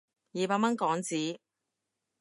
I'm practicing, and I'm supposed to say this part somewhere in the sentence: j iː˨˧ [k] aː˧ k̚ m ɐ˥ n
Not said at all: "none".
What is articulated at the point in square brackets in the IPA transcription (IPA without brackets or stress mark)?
p